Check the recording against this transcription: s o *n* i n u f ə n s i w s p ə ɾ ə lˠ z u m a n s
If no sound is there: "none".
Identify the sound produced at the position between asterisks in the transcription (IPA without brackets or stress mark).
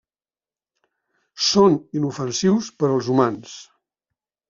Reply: n